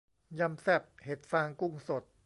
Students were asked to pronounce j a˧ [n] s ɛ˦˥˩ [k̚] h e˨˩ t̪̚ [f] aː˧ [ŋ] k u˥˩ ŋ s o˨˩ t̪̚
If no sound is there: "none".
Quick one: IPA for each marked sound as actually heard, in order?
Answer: m, p̚, f, ŋ

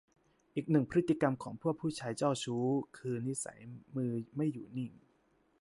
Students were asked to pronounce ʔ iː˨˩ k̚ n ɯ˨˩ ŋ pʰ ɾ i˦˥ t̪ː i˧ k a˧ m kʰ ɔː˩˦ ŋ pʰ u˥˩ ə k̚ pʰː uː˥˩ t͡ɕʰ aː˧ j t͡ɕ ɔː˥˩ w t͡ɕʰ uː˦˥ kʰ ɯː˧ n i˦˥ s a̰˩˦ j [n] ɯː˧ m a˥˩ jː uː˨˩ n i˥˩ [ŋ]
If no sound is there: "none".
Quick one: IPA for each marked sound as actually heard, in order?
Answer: m, ŋ

